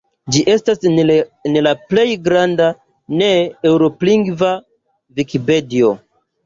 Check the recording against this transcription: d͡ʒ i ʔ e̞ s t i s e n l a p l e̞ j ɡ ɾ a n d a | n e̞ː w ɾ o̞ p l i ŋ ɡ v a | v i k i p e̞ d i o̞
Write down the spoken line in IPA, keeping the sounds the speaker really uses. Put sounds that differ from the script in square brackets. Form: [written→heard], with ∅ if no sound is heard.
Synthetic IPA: d͡ʒ i ʔ e̞ s t [i→a] s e n l a p l e̞ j ɡ ɾ a n d a | n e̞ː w ɾ o̞ p l i ŋ ɡ v a | v i k i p e̞ d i o̞